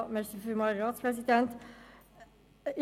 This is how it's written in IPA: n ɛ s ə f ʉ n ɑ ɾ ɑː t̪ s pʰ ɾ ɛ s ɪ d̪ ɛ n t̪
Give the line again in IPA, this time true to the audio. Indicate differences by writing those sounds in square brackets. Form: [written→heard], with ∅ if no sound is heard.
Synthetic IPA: [n→m] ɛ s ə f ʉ [n→m] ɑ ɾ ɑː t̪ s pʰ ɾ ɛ s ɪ d̪ ɛ n t̪